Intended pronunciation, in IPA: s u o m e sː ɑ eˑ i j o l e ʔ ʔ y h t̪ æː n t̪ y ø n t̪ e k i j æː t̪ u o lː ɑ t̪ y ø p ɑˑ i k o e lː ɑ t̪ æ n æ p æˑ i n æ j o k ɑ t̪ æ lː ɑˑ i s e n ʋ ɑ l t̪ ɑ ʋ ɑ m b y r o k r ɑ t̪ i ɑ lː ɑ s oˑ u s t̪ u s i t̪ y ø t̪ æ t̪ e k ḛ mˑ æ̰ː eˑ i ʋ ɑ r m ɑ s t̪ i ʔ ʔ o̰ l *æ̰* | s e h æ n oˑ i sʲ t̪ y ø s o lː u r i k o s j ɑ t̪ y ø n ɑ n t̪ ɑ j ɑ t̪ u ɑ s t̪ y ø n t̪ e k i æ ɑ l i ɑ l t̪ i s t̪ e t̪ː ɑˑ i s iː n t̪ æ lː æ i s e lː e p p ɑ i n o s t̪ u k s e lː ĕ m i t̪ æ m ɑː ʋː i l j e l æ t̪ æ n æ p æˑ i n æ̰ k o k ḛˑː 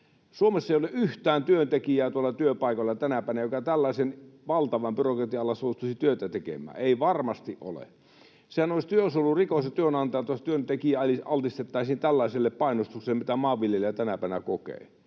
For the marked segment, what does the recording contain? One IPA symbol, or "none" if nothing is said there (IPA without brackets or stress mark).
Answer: ḛ